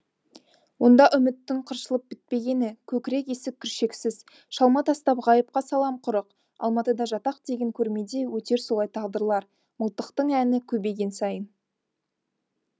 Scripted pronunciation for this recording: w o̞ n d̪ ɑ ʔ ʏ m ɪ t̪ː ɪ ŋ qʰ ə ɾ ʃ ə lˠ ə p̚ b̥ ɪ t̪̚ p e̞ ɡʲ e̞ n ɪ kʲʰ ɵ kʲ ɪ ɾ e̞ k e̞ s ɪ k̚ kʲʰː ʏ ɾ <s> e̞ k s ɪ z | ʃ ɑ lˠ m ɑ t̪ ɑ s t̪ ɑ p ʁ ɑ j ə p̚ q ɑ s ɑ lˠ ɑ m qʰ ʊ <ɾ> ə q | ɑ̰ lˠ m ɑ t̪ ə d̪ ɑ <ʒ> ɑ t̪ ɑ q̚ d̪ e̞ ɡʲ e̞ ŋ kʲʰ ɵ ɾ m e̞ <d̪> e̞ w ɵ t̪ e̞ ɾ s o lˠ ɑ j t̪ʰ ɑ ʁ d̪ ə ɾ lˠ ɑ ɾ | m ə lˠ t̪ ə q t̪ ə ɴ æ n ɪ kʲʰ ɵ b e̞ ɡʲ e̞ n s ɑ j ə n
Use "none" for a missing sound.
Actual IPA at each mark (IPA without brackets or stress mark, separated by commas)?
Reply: ʃ, ɾ, ʒ, d̪